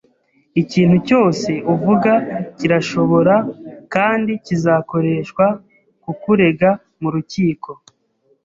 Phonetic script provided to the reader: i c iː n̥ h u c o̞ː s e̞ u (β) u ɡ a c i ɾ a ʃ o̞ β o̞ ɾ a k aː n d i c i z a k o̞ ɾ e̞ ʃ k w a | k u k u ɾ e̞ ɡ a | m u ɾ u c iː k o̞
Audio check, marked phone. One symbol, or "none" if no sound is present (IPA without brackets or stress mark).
v